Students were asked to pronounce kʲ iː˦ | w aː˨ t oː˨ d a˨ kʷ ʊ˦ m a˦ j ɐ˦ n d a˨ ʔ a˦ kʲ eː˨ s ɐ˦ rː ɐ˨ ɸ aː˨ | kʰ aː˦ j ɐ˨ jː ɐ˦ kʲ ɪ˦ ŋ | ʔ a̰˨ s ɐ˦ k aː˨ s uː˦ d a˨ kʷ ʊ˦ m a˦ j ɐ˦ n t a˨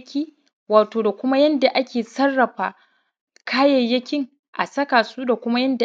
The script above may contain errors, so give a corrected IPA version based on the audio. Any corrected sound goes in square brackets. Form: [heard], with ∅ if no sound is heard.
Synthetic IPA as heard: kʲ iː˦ | w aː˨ t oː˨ d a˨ kʷ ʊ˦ m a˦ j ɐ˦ n d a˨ ʔ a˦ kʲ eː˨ s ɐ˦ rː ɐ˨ ɸ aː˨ | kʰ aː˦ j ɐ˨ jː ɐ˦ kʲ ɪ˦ ŋ | ʔ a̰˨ s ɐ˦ k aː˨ s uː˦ d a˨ kʷ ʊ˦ m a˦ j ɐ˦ n [d] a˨